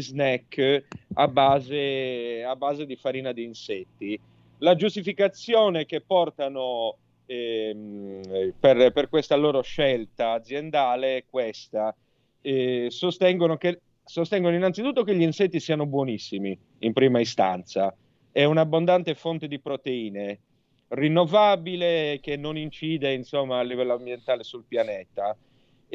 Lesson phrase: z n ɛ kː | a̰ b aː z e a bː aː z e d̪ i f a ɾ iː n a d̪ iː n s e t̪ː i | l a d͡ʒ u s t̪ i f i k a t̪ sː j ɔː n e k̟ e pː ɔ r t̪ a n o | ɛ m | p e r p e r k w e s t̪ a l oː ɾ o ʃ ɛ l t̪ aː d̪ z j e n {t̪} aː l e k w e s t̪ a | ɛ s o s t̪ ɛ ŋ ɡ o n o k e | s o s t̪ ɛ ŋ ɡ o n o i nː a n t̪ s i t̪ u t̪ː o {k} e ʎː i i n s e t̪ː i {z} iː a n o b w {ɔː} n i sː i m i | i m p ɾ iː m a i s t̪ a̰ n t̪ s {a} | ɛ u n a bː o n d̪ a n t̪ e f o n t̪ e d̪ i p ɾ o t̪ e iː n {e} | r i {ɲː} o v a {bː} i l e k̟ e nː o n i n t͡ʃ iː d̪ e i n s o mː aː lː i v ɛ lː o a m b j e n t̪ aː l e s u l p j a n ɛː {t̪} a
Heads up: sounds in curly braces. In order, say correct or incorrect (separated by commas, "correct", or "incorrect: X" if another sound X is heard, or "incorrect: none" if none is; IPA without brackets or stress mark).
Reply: incorrect: d̪, correct, incorrect: s, incorrect: ɔ, correct, correct, incorrect: nː, incorrect: b, correct